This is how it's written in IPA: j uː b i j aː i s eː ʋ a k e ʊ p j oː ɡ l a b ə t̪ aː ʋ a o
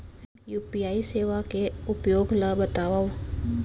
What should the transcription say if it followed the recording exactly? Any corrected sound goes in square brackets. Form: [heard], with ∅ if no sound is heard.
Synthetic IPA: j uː [p] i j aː i s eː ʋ a k e ʊ p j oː ɡ l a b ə t̪ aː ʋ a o